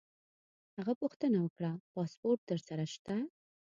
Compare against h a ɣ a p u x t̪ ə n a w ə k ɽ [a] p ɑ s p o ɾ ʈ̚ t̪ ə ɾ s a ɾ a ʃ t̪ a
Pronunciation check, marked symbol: correct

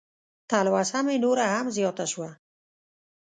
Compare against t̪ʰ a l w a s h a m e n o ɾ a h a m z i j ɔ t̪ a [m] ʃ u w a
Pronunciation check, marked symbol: incorrect: none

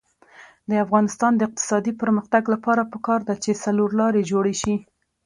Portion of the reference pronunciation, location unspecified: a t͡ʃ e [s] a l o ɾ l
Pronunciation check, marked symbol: correct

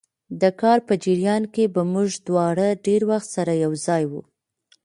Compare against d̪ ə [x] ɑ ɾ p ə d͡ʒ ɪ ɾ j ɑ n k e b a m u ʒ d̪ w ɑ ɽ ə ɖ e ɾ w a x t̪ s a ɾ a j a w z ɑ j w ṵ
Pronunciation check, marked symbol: incorrect: k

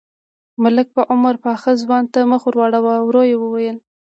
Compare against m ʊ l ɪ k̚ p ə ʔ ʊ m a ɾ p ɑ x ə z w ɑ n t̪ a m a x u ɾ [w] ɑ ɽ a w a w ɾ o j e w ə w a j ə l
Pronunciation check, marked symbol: correct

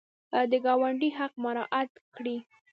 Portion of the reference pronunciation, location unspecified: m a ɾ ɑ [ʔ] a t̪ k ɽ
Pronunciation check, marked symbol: correct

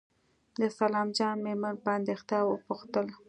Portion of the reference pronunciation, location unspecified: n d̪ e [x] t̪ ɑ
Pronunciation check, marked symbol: correct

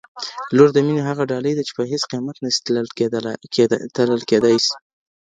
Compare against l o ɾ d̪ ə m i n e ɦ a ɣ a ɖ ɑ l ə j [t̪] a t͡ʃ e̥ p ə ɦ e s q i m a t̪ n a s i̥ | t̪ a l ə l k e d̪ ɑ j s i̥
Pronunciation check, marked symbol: incorrect: d̪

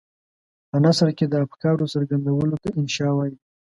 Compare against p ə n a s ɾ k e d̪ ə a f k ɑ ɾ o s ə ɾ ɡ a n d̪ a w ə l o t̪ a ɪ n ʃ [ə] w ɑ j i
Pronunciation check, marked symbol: incorrect: ɑ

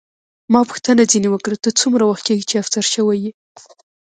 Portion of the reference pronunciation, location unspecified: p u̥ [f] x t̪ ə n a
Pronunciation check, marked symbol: incorrect: none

